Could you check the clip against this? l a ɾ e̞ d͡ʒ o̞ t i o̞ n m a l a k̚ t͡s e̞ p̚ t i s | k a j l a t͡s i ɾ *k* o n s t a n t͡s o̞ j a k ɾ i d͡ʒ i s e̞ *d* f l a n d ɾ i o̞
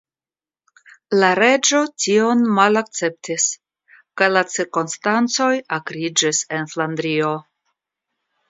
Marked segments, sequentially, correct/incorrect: correct, incorrect

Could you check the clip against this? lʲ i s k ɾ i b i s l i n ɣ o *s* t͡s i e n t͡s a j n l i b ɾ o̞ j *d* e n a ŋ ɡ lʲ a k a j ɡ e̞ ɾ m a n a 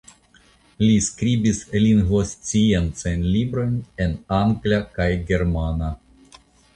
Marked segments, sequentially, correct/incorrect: correct, incorrect

